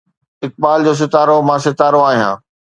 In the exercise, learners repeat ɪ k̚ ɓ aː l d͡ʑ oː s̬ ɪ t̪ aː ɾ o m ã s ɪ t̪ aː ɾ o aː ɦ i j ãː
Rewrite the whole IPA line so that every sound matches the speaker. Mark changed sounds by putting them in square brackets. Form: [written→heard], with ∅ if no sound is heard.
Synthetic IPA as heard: ɪ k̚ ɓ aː l d͡ʑ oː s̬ ɪ t̪ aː ɾ o m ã s ɪ t̪ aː ɾ o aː ɦ i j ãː